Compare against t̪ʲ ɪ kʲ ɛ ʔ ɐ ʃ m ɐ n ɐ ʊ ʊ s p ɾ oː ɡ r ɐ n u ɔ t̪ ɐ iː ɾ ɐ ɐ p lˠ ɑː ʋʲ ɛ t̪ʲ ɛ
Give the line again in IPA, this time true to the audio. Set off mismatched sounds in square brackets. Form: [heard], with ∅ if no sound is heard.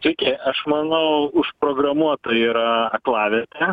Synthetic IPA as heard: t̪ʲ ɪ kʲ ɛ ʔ ɐ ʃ m ɐ n ɐ ʊ ʊ [ʃ] p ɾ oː ɡ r ɐ [m] u ɔ t̪ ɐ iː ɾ ɐ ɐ [k] lˠ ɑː ʋʲ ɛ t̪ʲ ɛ